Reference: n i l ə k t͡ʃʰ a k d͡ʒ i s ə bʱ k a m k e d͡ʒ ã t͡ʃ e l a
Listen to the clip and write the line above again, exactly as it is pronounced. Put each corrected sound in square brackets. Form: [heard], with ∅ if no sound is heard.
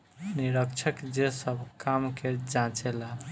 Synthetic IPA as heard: n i [ɾ] ə k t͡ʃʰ [ə] k d͡ʒ [e] s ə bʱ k a m k e d͡ʒ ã t͡ʃ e l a